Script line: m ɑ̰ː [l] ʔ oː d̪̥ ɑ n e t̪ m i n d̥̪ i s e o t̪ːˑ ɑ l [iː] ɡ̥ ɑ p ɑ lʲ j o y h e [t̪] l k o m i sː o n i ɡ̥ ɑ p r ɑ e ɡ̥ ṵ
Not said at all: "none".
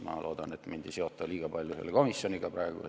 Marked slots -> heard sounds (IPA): l, iː, none

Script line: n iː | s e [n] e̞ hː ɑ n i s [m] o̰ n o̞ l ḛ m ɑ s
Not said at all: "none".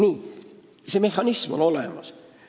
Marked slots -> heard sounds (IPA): m, m

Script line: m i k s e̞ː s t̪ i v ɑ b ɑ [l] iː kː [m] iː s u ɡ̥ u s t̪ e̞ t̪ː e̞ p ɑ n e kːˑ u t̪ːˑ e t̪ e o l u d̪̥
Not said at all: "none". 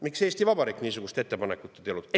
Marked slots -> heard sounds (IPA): ɾ, n

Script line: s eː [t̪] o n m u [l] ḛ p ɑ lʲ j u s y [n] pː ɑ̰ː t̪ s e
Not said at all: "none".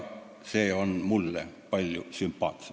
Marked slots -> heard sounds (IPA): none, lː, m

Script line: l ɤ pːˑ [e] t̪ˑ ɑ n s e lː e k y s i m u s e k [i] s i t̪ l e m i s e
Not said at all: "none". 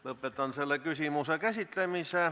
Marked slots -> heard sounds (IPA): e, æ

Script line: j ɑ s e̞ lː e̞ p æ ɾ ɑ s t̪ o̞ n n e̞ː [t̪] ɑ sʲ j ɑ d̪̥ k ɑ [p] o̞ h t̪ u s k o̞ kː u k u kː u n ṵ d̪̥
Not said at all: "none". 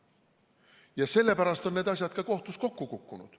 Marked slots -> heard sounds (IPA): d̪, k

